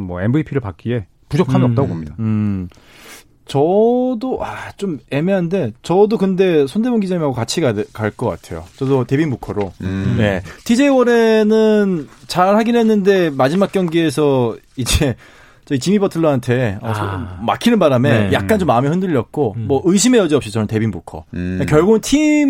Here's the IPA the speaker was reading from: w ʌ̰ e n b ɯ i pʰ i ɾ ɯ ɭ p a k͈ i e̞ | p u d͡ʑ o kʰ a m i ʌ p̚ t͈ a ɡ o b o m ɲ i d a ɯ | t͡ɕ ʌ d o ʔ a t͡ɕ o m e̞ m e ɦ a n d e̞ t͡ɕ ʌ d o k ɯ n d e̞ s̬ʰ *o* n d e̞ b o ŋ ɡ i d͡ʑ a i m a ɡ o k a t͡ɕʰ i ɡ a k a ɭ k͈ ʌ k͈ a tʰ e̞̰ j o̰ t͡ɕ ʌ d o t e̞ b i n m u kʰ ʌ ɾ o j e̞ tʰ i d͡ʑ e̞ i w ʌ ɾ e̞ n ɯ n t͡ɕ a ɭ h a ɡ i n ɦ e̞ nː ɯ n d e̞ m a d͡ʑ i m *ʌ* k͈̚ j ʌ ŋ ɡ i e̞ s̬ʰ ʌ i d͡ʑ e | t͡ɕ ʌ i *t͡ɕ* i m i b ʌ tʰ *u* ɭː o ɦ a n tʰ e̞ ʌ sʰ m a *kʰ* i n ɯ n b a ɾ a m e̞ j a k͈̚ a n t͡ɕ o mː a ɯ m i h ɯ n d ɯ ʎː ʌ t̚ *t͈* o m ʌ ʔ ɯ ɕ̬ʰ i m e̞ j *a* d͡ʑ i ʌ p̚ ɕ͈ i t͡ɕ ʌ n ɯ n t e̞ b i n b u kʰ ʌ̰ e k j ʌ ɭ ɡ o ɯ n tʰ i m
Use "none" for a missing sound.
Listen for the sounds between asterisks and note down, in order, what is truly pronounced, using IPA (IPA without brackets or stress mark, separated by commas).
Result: o, a, t͡ɕ, ɯ, kʰ, k͈, ʌ